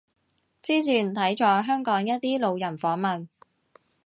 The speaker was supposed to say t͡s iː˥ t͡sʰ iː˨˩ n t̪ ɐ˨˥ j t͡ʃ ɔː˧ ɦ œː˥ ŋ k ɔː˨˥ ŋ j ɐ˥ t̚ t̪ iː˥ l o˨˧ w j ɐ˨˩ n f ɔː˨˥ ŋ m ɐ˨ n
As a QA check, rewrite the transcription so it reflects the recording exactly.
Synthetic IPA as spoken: t͡s iː˥ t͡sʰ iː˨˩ n t̪ʰ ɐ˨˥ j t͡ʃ ɔː˧ ɦ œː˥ ŋ k ɔː˨˥ ŋ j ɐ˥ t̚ t̪ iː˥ l o˨˧ w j ɐ˨˩ n f ɔː˨˥ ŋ m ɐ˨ n